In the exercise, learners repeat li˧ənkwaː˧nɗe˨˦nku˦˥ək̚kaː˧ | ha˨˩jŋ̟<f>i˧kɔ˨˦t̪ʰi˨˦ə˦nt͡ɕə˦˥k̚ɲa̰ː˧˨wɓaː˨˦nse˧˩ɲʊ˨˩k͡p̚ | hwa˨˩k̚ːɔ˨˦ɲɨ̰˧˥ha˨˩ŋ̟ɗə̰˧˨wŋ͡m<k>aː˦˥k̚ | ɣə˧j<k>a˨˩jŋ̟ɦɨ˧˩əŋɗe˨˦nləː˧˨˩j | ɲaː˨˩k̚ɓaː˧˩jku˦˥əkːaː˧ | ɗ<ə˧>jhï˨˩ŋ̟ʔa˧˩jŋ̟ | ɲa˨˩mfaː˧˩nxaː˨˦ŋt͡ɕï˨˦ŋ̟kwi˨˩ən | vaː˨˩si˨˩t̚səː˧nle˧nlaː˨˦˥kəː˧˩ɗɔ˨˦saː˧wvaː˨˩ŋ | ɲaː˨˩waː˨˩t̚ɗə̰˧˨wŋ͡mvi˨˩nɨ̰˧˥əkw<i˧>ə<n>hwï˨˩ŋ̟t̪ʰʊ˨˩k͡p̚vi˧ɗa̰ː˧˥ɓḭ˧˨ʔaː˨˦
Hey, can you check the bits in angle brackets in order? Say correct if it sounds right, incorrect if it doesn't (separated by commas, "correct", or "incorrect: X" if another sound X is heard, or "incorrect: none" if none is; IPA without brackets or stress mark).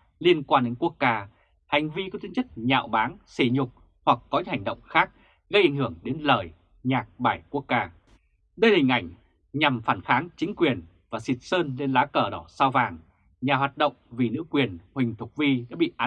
incorrect: v, incorrect: x, incorrect: ʔ, correct, incorrect: i˨˩, correct